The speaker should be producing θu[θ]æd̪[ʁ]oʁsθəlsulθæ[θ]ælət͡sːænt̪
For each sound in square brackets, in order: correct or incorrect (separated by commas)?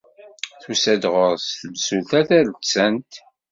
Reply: incorrect, correct, correct